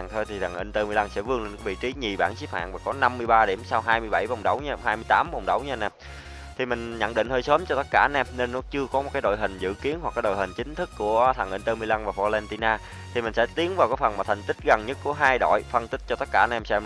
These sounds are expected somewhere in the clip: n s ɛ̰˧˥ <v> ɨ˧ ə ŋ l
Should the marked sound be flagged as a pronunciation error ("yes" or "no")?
no